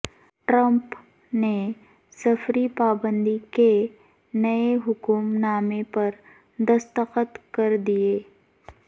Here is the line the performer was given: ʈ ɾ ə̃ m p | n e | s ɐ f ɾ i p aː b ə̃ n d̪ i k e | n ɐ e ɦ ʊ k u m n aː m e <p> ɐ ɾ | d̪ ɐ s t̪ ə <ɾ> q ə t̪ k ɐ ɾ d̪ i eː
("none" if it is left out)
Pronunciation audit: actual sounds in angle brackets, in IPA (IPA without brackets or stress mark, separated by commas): p, none